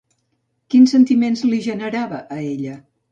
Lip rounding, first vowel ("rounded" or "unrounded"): unrounded